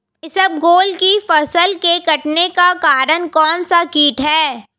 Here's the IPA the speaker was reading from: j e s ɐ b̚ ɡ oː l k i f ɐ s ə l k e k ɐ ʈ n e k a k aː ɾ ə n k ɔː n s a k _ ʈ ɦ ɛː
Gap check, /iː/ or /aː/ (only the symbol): iː